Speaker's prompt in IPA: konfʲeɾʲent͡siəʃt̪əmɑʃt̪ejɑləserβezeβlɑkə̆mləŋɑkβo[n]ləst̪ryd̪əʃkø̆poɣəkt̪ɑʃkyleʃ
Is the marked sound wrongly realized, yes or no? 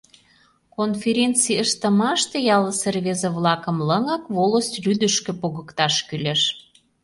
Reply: yes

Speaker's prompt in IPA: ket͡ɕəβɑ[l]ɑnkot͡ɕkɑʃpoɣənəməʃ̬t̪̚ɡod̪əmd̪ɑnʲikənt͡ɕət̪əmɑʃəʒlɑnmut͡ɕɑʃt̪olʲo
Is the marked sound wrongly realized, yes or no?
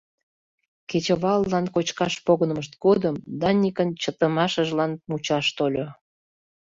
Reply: yes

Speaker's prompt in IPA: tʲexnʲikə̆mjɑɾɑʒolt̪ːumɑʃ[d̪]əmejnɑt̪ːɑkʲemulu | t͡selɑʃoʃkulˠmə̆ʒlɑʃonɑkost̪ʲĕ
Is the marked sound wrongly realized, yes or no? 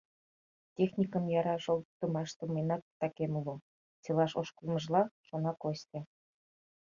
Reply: yes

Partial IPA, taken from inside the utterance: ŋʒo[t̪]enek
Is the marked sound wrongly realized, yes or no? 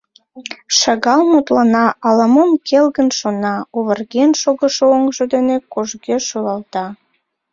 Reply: yes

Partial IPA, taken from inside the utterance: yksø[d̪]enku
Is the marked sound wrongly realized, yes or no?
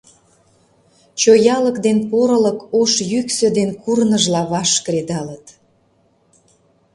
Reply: no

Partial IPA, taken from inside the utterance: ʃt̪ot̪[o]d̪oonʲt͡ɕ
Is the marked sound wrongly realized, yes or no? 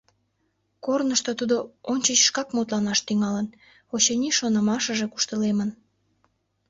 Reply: yes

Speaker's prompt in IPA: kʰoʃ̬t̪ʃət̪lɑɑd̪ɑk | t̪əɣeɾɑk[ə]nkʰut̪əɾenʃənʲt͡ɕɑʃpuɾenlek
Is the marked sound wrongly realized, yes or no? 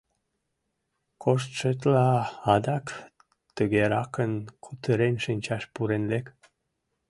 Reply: no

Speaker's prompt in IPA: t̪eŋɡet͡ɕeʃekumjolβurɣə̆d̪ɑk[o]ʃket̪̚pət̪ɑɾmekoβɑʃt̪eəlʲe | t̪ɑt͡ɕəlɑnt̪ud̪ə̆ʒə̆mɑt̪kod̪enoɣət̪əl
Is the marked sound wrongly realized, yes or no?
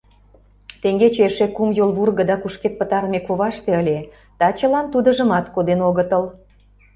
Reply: yes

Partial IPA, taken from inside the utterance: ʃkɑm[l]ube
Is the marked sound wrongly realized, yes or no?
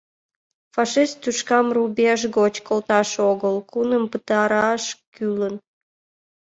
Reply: yes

